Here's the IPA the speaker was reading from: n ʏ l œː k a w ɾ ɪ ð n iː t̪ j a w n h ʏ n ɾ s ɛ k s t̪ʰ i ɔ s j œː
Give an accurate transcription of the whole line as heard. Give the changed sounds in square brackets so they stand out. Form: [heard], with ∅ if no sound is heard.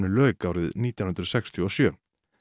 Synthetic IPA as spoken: n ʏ l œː k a w ɾ ɪ ð n iː t̪ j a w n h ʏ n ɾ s ɛ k s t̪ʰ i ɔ s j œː